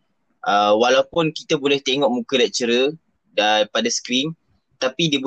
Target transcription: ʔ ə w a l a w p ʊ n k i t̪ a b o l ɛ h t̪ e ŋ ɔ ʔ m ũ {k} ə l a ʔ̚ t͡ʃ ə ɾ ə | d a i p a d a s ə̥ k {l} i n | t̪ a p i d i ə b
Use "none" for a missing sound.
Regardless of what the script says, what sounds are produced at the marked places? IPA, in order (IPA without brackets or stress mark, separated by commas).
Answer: k, ɾ